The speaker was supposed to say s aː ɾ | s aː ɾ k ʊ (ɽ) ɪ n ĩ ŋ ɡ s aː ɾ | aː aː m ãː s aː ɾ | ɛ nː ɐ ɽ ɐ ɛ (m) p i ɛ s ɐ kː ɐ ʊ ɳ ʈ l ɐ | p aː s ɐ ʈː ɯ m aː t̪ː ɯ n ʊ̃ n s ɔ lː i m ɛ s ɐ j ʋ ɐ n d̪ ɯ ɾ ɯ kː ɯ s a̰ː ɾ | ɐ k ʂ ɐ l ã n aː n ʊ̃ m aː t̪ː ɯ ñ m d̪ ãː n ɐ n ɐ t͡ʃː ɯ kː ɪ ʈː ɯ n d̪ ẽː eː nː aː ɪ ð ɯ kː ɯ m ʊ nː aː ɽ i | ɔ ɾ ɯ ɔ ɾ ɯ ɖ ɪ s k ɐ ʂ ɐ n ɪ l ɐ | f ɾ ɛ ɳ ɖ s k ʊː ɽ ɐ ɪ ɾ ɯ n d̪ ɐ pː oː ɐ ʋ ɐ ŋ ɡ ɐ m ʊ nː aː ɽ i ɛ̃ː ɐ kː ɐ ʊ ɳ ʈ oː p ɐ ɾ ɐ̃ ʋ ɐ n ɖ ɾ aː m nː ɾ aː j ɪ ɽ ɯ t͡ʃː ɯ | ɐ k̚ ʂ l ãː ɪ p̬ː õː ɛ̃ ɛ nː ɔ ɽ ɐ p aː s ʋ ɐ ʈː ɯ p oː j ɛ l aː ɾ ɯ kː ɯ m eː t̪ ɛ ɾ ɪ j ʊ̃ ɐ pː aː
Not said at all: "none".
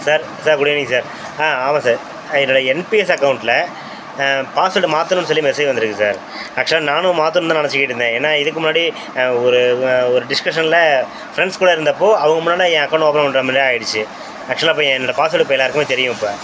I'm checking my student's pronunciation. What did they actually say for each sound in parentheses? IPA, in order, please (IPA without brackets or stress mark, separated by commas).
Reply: ɽ, n